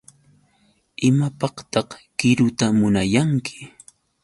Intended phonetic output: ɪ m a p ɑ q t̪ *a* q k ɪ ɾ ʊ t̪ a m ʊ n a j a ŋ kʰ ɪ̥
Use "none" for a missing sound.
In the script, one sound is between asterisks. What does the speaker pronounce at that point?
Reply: ɑ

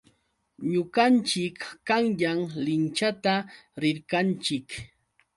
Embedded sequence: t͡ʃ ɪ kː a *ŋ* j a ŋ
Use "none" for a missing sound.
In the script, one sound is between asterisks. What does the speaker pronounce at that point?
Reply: ŋ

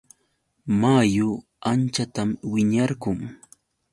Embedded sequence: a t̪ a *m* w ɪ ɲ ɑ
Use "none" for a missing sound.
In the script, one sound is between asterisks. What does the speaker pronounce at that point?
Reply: m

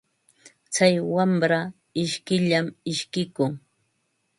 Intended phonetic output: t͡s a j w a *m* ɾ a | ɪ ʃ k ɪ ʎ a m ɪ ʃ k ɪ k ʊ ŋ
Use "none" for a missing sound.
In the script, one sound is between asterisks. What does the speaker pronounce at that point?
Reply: m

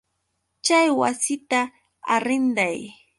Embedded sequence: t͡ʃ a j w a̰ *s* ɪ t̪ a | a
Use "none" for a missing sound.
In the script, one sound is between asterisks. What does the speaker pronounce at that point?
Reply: s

